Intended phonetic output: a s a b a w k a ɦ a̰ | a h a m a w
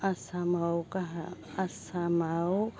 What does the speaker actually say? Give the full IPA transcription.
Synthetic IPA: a s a m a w k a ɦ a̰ | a s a m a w